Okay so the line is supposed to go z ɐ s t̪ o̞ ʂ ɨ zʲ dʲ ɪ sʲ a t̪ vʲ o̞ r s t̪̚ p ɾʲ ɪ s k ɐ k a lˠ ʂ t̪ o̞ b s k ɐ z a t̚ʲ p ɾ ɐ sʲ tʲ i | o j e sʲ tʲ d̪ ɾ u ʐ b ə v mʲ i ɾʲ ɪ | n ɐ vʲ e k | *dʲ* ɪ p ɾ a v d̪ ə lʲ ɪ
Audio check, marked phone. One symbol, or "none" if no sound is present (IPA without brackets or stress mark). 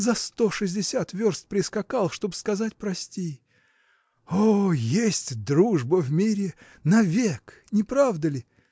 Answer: nʲ